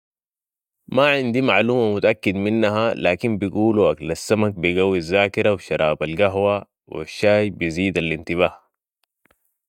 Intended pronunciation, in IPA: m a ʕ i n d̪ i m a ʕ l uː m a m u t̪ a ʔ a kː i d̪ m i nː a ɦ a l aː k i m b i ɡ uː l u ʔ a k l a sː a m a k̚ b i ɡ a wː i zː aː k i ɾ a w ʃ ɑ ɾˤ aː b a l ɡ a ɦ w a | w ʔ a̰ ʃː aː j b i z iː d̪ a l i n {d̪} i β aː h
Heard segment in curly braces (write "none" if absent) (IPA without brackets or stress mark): t̪